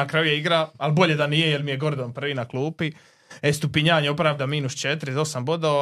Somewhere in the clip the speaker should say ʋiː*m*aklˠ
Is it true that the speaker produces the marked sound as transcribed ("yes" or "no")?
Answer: no